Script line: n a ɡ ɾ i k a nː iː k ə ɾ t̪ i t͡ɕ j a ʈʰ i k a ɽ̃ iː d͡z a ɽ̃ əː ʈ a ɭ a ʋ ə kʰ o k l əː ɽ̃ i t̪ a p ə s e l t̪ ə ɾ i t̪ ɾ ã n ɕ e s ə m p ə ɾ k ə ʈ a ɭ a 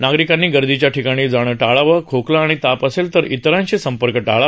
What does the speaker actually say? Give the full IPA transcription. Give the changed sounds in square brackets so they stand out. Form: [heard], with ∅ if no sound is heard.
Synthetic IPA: n a ɡ ɾ i k a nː iː [ɡ] ə ɾ [d̪] i t͡ɕ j a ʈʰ i k a ɽ̃ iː d͡z a ɽ̃ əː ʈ a ɭ a ʋ ə kʰ o k l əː ɽ̃ i t̪ a p ə s e l t̪ ə ɾ i t̪ ɾ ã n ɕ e s ə m p ə ɾ k ə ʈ a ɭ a

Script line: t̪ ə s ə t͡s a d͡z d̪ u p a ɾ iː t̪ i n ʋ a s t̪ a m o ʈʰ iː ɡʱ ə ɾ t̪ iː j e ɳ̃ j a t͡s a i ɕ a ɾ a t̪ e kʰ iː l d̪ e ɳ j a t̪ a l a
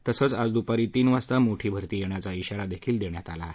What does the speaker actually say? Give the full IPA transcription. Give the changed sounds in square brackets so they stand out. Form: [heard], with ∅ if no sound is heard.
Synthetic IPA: t̪ ə s ə t͡s a d͡z d̪ u p a ɾ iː t̪ [iː] n ʋ a s t̪ a m o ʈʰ iː [bʱ] ə ɾ t̪ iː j e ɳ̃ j a t͡s a i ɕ a ɾ a [d̪] e kʰ iː l d̪ e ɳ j a t̪ a l a

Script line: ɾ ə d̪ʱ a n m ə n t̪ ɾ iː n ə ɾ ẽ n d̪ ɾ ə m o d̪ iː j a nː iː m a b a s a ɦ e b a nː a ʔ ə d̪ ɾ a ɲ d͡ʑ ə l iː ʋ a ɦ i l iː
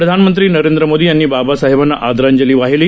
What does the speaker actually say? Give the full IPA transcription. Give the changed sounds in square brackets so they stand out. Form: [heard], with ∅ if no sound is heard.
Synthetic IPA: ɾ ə d̪ʱ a n m ə n t̪ ɾ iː n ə ɾ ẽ n d̪ ɾ ə m o d̪ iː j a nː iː [b] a b a s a ɦ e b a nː a ʔ [a] d̪ ɾ a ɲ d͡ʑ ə l iː ʋ a ɦ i l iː

